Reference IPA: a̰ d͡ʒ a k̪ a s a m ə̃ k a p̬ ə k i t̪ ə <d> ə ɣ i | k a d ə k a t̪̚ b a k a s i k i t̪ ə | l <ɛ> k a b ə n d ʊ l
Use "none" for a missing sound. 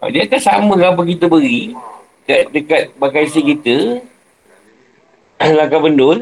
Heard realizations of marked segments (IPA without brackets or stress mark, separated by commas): b, a